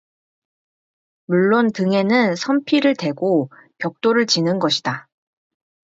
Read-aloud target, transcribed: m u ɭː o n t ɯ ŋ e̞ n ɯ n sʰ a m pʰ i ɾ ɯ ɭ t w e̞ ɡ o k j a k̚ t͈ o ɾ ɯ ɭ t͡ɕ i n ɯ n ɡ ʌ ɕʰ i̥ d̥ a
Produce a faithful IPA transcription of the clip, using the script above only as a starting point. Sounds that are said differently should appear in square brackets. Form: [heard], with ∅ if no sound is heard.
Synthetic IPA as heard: m u ɭː o n t ɯ ŋ e̞ n ɯ n sʰ [ʌ] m pʰ i ɾ ɯ ɭ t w e̞ ɡ o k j [ʌ] k̚ t͈ o ɾ ɯ ɭ t͡ɕ i n ɯ n ɡ ʌ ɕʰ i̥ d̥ a